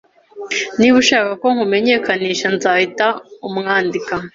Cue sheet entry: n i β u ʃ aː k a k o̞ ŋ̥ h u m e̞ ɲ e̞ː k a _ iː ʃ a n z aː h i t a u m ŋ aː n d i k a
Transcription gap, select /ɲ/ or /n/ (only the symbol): n